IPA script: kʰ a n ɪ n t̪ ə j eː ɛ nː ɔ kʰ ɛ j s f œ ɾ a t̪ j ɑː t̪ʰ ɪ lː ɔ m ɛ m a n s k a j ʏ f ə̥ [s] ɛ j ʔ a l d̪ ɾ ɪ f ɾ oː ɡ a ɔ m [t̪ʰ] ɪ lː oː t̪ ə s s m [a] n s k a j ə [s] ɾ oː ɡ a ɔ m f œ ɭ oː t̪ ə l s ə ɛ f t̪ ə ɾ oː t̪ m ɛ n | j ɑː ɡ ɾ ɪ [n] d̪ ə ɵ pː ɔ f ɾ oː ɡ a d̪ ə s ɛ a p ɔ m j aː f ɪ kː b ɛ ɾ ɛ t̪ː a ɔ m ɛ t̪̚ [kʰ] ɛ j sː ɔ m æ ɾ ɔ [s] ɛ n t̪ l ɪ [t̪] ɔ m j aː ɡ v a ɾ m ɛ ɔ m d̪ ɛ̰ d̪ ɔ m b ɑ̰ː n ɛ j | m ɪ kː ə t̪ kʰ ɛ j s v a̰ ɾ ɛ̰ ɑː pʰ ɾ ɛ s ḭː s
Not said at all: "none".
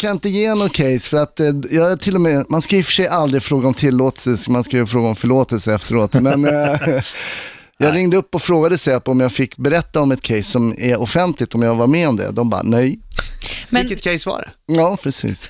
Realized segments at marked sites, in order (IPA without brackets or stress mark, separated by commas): ʂ, t̪ʰ, a, f, ŋ, kʰ, f, t̪